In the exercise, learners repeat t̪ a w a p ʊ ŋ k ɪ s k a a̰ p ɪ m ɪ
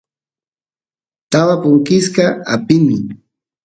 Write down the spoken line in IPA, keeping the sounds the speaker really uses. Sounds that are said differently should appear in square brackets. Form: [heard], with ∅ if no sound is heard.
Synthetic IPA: t̪ a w a p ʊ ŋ k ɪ s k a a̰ p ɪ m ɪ